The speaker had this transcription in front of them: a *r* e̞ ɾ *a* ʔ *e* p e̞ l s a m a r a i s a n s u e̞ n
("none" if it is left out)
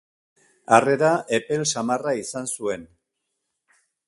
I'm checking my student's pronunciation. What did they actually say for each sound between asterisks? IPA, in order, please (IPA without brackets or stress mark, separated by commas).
r, a, e